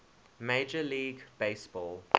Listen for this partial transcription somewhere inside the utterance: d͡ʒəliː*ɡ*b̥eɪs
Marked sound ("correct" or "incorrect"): correct